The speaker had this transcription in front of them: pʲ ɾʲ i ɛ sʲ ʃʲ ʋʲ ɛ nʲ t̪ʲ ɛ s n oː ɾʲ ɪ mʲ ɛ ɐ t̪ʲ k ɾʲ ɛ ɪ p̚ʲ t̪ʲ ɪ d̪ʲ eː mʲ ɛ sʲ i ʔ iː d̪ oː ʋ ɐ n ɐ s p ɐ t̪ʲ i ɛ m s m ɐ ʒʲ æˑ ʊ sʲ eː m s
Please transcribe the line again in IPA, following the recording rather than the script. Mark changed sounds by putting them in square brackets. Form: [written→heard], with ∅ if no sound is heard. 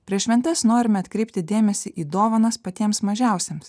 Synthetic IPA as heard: pʲ ɾʲ i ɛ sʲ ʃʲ ʋʲ ɛ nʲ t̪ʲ ɛ s n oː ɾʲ ɪ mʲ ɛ ɐ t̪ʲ k ɾʲ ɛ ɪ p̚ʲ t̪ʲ ɪ d̪ʲ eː mʲ ɛ sʲ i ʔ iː d̪ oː ʋ ɐ n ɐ s p ɐ t̪ʲ i ɛ m s m ɐ ʒʲ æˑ ʊ sʲ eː m s

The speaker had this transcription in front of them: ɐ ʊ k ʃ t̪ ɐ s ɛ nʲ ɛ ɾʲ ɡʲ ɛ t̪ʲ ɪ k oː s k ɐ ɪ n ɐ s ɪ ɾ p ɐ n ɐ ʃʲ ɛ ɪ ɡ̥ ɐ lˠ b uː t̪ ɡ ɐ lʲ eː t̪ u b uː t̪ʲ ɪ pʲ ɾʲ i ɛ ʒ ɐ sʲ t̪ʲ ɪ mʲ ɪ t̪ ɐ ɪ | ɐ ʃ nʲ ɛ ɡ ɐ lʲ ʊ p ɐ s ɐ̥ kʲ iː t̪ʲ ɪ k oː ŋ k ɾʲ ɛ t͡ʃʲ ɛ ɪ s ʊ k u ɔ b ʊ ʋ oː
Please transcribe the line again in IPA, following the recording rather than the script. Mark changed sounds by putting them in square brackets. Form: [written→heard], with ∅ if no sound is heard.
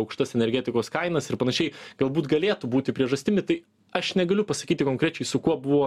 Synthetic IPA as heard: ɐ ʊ k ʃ t̪ ɐ s ɛ nʲ ɛ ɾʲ ɡʲ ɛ t̪ʲ ɪ k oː s k ɐ ɪ n ɐ s ɪ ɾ p ɐ n ɐ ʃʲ ɛ ɪ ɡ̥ ɐ lˠ b uː t̪ ɡ ɐ lʲ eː t̪ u b uː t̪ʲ ɪ pʲ ɾʲ i ɛ ʒ ɐ sʲ t̪ʲ ɪ mʲ ɪ t̪ ɐ ɪ | ɐ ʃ nʲ ɛ ɡ ɐ lʲ ʊ p ɐ s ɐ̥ kʲ iː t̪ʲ ɪ k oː ŋ k ɾʲ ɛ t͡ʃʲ ɛ ɪ s ʊ k u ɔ b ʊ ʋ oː

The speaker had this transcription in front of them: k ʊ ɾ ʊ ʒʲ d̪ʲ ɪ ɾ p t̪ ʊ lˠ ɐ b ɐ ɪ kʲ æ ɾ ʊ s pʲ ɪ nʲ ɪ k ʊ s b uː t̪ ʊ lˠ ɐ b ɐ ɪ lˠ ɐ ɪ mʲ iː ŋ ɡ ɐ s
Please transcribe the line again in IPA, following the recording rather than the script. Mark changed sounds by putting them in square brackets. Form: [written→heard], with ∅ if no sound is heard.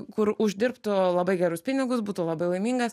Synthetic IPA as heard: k ʊ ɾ ʊ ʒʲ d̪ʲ ɪ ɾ p t̪ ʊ lˠ ɐ b ɐ ɪ [kʲ→ɡʲ] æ ɾ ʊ s pʲ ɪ nʲ ɪ [k→ɡ] ʊ s b uː t̪ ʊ lˠ ɐ b ɐ ɪ lˠ ɐ ɪ mʲ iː ŋ ɡ ɐ s

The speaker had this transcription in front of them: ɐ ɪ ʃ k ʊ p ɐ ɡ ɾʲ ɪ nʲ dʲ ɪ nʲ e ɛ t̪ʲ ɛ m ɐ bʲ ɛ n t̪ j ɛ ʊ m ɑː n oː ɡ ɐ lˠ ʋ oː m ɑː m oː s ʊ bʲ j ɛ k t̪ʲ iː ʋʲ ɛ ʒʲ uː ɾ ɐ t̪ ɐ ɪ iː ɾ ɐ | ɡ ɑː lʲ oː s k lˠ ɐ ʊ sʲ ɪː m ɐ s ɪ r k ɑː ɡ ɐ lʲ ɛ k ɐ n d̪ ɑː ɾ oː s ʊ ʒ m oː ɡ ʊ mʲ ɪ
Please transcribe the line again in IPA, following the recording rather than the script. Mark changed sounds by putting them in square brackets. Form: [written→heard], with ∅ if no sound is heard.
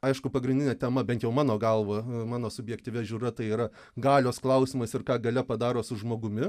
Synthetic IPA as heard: ɐ ɪ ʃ k ʊ p ɐ ɡ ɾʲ ɪ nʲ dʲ ɪ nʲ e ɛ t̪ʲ ɛ m ɐ bʲ ɛ n t̪ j ɛ ʊ m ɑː n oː ɡ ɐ lˠ ʋ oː m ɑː [m→n] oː s ʊ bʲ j ɛ k t̪ʲ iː ʋʲ ɛ ʒʲ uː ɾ ɐ t̪ ɐ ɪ iː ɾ ɐ | ɡ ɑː lʲ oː s k lˠ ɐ ʊ sʲ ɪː m ɐ s ɪ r k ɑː ɡ ɐ lʲ ɛ [k→p] ɐ [n→∅] d̪ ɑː ɾ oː s ʊ ʒ m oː ɡ ʊ mʲ ɪ

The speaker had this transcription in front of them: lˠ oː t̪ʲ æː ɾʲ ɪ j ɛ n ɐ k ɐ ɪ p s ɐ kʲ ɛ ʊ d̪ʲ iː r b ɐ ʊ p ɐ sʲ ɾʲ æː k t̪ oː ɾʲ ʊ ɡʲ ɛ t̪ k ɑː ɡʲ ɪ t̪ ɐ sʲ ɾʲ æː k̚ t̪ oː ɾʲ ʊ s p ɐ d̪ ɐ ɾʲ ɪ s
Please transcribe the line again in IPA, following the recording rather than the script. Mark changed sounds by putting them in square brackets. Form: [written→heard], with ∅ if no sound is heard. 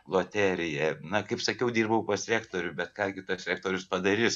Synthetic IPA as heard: lˠ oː t̪ʲ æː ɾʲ ɪ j ɛ n ɐ k ɐ ɪ p s ɐ kʲ ɛ ʊ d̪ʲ iː r b ɐ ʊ p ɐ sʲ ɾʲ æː k t̪ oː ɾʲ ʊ [ɡʲ→bʲ] ɛ t̪ k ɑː ɡʲ ɪ t̪ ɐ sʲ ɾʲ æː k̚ t̪ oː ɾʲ ʊ s p ɐ d̪ ɐ ɾʲ ɪ s

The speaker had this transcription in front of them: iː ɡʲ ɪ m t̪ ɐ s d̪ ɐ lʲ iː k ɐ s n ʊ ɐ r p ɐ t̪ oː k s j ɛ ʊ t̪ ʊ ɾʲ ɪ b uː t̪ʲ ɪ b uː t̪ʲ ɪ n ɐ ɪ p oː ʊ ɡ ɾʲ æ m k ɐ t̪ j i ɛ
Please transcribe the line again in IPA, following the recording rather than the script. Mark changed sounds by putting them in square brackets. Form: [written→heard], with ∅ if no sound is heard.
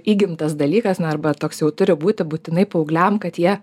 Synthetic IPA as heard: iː ɡʲ ɪ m t̪ ɐ s d̪ ɐ lʲ iː k ɐ s n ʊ ɐ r [p→b] ɐ t̪ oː k s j ɛ ʊ t̪ ʊ ɾʲ ɪ b uː t̪ʲ ɪ b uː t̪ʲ ɪ n ɐ ɪ p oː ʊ ɡ [ɾʲ→lʲ] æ m k ɐ t̪ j i ɛ

